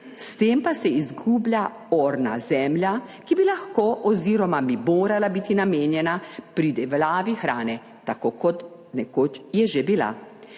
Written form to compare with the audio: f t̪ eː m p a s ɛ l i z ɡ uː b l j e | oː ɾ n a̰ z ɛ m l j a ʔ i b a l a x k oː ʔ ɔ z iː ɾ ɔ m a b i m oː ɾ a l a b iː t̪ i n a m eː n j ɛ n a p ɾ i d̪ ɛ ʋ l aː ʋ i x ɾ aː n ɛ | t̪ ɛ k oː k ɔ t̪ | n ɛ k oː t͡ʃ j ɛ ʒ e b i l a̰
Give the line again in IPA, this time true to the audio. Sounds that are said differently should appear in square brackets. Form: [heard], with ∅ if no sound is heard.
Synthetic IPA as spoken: [s] t̪ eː m p a s ɛ [∅] i z ɡ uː b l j [a] | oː ɾ n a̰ z ɛ m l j a [k] i b [i] l a x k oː ʔ ɔ z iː ɾ ɔ m a b i m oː ɾ a l a b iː t̪ i n a m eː n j ɛ n a p ɾ i d̪ ɛ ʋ l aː ʋ i x ɾ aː n ɛ | t̪ [a] k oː k ɔ t̪ | n ɛ k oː t͡ʃ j ɛ ʒ e b i l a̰